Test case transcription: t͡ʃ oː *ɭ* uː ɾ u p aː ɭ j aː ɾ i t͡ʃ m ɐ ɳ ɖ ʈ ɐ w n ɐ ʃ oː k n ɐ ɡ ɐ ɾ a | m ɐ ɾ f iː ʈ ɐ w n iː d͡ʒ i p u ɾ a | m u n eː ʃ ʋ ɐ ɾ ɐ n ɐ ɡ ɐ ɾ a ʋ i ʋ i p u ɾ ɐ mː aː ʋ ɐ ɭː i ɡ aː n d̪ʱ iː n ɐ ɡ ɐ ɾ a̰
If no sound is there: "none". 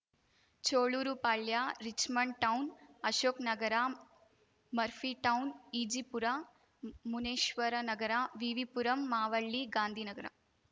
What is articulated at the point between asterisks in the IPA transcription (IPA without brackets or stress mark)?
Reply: ɭ